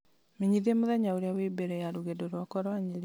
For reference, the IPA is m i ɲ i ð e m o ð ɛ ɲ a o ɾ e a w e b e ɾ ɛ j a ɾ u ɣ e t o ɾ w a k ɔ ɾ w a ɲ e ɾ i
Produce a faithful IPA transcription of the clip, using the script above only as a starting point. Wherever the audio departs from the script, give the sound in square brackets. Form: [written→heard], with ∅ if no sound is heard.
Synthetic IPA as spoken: m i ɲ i ð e m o ð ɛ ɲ a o ɾ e a w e b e ɾ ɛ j a ɾ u ɣ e [t→d] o ɾ w a k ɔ ɾ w a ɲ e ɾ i